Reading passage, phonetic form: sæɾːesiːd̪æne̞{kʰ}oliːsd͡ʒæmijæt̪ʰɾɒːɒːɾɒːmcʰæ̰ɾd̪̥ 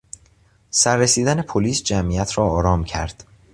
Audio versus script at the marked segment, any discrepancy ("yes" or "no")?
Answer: yes